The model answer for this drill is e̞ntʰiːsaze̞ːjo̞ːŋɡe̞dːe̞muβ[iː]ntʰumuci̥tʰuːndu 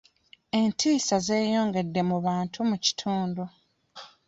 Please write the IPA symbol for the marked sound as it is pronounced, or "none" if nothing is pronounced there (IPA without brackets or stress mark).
aː